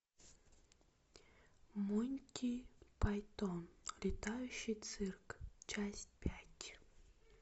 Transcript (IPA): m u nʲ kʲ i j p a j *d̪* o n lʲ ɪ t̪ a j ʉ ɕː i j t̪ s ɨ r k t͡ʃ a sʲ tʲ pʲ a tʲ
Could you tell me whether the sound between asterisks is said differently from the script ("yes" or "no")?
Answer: yes